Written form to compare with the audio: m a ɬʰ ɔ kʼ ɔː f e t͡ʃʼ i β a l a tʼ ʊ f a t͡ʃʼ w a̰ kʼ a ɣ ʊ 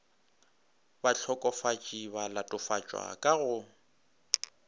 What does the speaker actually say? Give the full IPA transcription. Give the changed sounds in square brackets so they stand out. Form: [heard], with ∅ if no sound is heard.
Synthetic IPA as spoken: [b] a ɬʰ ɔ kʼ [ɔ] f [a] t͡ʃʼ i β a l a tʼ ʊ f a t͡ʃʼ w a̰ kʼ a ɣ ʊ